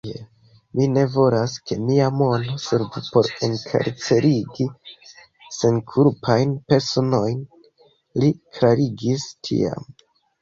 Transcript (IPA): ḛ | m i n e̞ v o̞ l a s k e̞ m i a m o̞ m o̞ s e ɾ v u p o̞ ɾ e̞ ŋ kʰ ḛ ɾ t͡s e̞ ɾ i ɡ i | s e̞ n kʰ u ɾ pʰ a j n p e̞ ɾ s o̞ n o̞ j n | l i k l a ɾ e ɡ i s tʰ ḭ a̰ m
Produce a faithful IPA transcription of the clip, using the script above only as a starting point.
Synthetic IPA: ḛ | m i n e̞ v o̞ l a s k e̞ m i a m o̞ n o̞ s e ɾ v u p o̞ ɾ e̞ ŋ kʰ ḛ ɾ t͡s e̞ ɾ i ɡ i | s e̞ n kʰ u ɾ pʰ a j n p e̞ ɾ s o̞ n o̞ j n | l i k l a ɾ i ɡ i s tʰ ḭ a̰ m